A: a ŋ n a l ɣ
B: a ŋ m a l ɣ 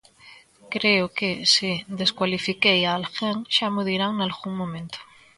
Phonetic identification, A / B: A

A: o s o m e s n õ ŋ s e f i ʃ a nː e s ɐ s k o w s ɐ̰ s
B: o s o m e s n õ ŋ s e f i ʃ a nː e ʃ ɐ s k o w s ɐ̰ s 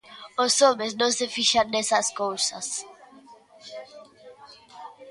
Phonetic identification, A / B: A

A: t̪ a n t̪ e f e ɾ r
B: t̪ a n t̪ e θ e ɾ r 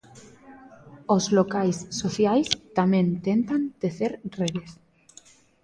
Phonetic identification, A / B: B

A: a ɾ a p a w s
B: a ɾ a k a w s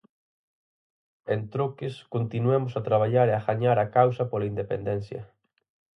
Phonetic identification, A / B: B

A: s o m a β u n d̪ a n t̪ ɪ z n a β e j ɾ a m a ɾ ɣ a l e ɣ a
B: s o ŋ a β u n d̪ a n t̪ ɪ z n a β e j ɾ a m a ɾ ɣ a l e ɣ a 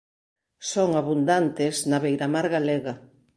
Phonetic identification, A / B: B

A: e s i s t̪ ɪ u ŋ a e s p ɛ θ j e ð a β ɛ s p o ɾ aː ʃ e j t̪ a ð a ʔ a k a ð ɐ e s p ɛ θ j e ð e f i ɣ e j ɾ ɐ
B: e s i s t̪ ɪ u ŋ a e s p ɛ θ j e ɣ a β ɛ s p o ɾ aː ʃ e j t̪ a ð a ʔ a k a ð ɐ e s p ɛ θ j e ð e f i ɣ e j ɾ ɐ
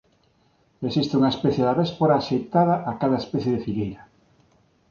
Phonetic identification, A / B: A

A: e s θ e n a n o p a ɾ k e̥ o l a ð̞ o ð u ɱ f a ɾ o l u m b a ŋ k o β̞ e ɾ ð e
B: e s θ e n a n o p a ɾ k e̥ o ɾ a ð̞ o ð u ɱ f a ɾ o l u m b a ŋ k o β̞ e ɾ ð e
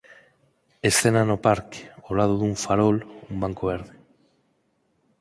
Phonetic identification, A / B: A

